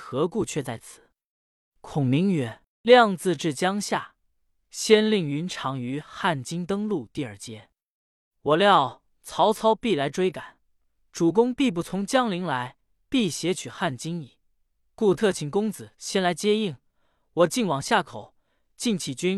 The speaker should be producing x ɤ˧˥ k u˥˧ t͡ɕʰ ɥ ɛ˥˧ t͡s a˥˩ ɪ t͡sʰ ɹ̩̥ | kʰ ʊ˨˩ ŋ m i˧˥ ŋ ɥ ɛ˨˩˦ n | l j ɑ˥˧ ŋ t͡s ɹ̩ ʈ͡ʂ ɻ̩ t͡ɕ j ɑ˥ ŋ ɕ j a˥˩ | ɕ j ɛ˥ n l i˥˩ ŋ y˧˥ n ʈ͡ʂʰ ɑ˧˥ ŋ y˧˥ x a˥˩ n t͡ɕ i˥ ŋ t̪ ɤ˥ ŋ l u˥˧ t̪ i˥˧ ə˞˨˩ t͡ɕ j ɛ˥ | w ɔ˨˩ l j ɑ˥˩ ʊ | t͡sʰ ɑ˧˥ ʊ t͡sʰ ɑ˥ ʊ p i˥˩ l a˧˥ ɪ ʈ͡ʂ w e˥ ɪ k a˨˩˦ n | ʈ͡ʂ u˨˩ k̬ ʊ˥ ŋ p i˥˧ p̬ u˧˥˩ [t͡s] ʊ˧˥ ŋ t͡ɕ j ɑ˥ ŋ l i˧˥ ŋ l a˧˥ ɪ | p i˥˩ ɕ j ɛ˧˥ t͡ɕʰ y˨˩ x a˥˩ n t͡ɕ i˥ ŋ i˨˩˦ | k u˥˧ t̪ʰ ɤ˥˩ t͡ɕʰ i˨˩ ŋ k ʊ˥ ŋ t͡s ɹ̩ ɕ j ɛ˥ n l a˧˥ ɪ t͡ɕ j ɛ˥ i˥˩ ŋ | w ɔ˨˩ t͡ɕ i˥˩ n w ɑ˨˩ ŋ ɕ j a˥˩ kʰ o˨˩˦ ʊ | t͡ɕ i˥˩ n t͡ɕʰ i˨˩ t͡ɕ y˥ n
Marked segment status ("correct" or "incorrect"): incorrect